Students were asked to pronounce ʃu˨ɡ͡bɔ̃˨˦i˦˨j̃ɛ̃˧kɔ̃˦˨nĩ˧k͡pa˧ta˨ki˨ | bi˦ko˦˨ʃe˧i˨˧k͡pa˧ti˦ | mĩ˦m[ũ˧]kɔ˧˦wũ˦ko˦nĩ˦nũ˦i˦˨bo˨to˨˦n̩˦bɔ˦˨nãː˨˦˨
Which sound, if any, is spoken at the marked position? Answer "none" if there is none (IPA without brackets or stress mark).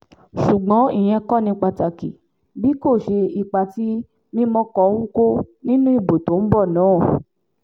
ɔ̃˧